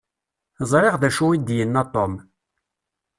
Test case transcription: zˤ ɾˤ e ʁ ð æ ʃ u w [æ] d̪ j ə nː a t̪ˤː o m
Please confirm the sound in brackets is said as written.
no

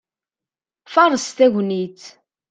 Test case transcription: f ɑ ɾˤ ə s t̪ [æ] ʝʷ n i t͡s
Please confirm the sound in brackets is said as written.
yes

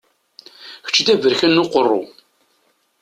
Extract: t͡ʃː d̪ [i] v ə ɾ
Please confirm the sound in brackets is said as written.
no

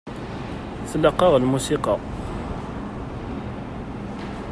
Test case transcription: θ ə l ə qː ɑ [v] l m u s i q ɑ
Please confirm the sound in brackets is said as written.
no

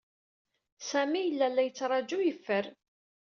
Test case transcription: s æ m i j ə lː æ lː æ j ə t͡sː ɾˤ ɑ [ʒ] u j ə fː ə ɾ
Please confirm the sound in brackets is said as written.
no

